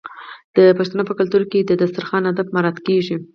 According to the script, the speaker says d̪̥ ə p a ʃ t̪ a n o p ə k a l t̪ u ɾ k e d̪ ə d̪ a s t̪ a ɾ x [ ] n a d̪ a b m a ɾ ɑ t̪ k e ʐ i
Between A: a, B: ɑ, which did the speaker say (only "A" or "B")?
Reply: B